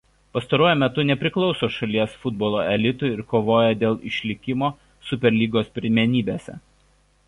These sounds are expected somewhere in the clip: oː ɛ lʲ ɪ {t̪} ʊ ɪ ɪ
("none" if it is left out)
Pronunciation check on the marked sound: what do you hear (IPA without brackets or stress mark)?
t̪